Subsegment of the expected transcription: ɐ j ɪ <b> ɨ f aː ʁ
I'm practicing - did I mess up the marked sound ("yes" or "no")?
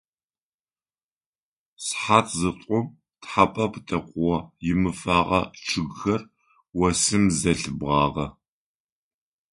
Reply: yes